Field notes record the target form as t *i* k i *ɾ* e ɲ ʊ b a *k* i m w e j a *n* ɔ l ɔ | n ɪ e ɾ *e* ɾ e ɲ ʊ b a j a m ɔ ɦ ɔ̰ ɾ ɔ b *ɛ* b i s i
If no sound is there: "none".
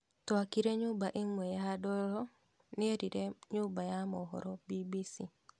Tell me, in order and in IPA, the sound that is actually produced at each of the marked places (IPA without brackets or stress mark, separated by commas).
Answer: a, ɾ, ʔ, d, i, i